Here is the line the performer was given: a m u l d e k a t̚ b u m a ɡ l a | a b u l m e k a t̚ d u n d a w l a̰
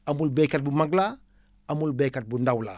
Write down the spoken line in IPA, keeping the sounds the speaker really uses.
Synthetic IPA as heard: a m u l b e k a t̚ b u m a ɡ l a | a m u l b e k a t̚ b u n d a w l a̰

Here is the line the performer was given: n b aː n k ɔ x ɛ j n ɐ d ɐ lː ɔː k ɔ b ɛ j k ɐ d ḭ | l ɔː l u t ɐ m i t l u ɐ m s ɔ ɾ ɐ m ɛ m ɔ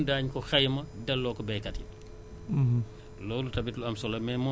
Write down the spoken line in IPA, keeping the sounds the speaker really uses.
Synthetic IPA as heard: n d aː ɲ k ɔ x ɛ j m ɐ d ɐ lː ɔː k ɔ b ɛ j k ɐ t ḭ | l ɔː l u t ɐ b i t l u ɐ m s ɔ l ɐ m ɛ m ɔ

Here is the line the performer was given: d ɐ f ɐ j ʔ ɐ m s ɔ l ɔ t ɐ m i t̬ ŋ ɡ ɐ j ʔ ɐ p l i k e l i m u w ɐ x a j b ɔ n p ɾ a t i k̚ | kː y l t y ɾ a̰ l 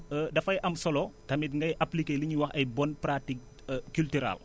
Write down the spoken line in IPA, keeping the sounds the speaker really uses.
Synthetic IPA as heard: d ɐ f ɐ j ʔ ɐ m s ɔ l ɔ t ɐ m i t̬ ŋ ɡ ɐ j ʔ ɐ p l i k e l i ɲ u w ɐ x ɐ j b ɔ n p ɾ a t i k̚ | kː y l t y ɾ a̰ l

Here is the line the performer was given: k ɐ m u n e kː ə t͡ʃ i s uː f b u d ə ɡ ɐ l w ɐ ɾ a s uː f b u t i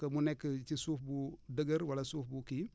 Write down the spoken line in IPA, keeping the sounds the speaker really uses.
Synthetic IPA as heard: k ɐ m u n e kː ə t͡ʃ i s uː f b u d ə ɡ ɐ ɾ w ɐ l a s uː f b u k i

